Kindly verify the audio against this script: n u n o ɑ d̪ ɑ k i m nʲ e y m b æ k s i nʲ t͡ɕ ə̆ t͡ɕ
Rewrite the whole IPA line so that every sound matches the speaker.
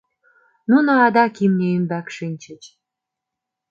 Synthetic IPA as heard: n u n o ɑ d̪ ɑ k i m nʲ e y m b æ k ʃ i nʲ t͡ɕ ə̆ t͡ɕ